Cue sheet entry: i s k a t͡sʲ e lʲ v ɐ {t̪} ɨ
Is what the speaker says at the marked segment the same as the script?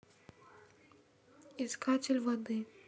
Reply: no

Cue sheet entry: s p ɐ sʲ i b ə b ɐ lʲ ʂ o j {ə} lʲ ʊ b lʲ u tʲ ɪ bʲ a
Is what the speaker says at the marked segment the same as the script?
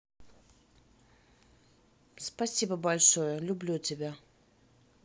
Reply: yes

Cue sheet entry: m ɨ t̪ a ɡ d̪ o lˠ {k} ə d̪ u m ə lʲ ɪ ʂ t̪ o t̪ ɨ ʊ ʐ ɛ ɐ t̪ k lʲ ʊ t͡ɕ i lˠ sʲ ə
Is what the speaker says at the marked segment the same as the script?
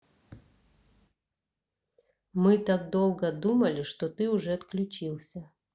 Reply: no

